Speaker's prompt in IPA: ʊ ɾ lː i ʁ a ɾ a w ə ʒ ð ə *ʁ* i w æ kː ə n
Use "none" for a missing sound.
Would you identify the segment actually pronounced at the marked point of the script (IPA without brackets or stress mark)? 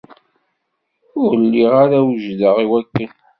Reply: ʁ